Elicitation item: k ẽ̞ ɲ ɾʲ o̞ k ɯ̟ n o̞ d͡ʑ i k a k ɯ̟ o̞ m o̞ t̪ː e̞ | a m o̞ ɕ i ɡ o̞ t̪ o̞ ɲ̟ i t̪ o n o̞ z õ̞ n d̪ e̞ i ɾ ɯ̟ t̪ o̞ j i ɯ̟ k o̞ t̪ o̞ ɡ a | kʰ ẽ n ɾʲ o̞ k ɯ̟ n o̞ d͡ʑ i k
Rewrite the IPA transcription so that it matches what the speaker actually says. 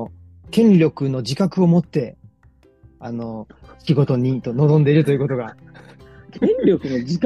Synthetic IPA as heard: k ẽ̞ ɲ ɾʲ o̞ k ɯ̟ n o̞ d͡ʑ i k a k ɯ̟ o̞ m o̞ t̪ː e̞ | a n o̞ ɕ i ɡ o̞ t̪ o̞ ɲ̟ i t̪ o n o̞ z õ̞ n d̪ e̞ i ɾ ɯ̟ t̪ o̞ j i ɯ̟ k o̞ t̪ o̞ ɡ a | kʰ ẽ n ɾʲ o̞ k ɯ̟ n o̞ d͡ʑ i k